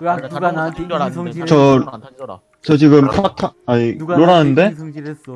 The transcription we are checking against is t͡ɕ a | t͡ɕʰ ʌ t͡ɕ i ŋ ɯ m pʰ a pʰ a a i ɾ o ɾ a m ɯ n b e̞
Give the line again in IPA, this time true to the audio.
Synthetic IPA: t͡ɕ ʌ | t͡ɕ ʌ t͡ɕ i ɡ ɯ m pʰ a tʰ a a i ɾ o ɾ a n ɯ n d e̞

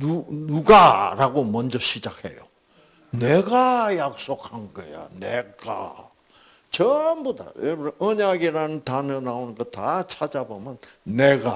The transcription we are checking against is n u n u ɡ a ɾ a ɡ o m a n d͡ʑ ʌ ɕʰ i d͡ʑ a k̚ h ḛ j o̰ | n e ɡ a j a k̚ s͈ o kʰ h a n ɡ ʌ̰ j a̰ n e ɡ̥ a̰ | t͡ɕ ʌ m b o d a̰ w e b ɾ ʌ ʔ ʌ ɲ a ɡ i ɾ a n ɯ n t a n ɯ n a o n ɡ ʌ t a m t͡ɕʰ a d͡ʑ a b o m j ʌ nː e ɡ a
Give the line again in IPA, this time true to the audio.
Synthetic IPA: n u n u ɡ a ɾ a ɡ o m ʌ n d͡ʑ ʌ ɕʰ i d͡ʑ a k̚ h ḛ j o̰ | n e ɡ a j a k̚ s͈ o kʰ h a n ɡ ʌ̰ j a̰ n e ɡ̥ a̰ | t͡ɕ ʌ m b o d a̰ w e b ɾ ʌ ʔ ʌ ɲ a ɡ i ɾ a n ɯ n t a n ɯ n a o n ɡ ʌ t a t͡ɕʰ a d͡ʑ a b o m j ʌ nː e ɡ a

